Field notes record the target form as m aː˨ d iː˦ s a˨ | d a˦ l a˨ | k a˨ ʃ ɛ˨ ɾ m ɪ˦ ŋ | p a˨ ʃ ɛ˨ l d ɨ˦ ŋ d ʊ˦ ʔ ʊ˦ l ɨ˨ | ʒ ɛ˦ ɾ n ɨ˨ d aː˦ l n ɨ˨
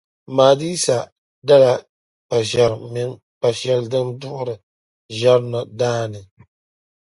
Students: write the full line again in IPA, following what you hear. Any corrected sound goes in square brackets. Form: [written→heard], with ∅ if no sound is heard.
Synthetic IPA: m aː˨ d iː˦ s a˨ | d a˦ l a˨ | [k→p] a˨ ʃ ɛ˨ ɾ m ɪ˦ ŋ | p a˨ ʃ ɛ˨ l d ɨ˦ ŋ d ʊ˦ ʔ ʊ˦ [l→ɾ] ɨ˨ | ʒ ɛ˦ ɾ n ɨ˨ d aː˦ [l→∅] n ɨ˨